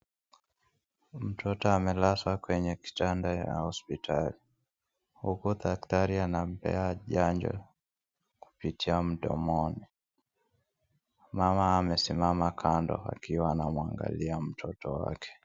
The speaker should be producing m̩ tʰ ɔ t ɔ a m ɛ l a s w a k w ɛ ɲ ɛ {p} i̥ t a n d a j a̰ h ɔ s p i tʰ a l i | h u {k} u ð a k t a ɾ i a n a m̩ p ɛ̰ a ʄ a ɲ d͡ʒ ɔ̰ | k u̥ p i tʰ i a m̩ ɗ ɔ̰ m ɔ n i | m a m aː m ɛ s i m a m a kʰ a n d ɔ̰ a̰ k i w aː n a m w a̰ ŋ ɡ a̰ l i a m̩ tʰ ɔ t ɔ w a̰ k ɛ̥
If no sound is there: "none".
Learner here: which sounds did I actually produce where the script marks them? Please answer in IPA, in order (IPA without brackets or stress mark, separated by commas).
k, k